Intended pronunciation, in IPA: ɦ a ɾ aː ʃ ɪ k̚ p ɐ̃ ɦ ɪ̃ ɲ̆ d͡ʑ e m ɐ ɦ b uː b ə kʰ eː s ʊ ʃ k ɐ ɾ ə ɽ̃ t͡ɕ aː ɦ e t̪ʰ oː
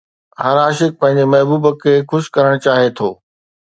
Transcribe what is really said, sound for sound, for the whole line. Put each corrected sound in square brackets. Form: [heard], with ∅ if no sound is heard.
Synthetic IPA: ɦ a ɾ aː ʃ ɪ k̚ p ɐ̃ ɦ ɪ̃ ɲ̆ d͡ʑ e m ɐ ɦ b uː b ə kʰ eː [x] ʊ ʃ k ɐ ɾ ə ɽ̃ t͡ɕ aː ɦ e t̪ʰ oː